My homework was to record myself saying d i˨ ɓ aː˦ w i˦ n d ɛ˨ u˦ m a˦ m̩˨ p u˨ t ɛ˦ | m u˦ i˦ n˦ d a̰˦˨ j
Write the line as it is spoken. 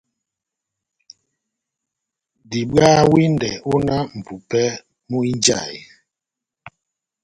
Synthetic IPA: d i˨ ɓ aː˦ w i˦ n d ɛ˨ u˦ n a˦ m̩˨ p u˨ p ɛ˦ | m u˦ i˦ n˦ d͡ʒ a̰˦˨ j